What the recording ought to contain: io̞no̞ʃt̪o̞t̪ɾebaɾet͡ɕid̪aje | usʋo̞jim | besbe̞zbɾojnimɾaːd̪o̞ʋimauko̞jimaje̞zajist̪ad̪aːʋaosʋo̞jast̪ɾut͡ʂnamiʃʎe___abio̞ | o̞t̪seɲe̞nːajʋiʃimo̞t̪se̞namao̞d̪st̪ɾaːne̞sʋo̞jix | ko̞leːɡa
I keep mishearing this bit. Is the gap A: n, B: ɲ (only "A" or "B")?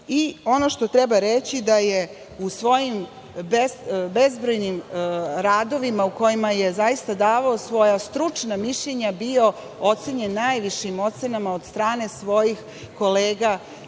B